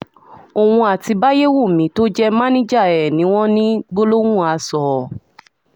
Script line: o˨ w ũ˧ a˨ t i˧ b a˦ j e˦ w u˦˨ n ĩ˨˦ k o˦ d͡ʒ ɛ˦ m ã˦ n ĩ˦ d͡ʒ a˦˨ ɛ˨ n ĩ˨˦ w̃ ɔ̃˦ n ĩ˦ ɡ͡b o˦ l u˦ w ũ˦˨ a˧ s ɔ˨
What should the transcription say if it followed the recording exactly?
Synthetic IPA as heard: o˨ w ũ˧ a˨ t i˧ b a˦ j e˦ w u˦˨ m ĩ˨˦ t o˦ d͡ʒ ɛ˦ m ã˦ n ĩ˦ d͡ʒ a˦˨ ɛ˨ n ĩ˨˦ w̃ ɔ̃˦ n ĩ˦ ɡ͡b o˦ l o˦ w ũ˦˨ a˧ s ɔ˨